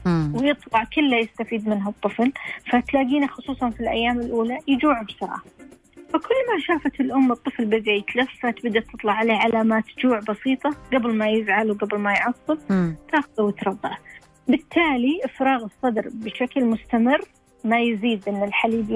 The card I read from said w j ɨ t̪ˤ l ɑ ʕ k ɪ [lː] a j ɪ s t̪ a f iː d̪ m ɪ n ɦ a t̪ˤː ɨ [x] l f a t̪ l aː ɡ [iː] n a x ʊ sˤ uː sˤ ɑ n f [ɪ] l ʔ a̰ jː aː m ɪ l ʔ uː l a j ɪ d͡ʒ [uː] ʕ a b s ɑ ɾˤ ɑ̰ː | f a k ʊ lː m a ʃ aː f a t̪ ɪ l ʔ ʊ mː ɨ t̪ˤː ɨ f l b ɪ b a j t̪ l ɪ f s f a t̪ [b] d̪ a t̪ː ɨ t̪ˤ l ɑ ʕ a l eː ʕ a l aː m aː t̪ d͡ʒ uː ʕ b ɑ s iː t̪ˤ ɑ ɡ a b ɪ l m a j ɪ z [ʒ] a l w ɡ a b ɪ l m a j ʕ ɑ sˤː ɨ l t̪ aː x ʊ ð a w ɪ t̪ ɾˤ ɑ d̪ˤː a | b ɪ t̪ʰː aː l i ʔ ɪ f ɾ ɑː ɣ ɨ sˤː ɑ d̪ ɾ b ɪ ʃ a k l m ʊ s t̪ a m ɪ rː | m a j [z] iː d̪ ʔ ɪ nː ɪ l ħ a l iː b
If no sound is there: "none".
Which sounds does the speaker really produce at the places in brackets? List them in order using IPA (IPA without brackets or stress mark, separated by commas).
lː, f, iː, i, uː, b, ʕ, z